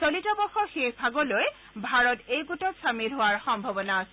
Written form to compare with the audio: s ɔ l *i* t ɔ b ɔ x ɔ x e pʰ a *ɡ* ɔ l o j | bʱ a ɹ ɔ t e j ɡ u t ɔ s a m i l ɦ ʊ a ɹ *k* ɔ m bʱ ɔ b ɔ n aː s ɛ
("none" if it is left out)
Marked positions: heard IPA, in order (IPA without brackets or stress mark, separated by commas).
i, ɡ, x